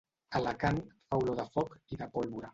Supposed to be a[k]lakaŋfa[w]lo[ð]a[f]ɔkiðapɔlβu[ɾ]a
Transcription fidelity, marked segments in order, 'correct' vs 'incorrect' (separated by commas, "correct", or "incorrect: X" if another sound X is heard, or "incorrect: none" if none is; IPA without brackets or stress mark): incorrect: none, correct, correct, correct, correct